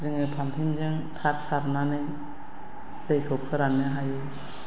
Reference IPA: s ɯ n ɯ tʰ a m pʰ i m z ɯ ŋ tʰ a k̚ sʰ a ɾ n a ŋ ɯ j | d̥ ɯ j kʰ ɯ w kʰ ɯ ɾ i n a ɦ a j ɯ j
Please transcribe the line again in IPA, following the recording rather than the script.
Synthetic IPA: z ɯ ŋ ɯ pʰ a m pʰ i m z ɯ ŋ tʰ a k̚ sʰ a ɾ n a n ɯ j | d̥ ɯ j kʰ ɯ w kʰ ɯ ɾ a n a ɦ a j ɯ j

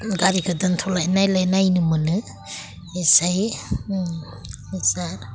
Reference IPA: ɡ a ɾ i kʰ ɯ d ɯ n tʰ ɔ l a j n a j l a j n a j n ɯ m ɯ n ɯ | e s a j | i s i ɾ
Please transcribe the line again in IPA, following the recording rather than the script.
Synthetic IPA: ɡ a ɾ i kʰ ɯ d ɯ n tʰ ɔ l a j n a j l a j n a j n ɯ m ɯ n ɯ | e s a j | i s a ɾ

